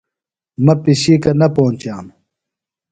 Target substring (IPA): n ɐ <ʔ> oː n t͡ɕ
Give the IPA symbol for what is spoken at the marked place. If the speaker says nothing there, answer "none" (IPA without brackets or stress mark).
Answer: p